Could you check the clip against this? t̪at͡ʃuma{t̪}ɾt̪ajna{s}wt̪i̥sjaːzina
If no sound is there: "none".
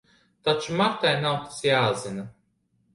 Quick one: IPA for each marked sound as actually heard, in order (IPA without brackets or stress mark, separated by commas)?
none, none